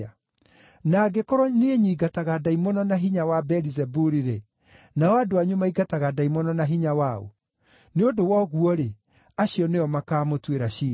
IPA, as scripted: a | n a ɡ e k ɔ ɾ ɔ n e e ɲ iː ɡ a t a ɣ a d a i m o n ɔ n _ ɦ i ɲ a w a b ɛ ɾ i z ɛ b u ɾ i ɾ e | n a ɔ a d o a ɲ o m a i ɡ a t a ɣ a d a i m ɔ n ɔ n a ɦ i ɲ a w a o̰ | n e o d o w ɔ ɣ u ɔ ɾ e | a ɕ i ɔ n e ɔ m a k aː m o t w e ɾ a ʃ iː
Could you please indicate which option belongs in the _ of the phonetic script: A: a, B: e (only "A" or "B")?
A